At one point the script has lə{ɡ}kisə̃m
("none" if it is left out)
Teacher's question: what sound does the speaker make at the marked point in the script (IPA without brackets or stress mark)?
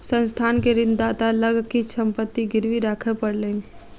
ɡ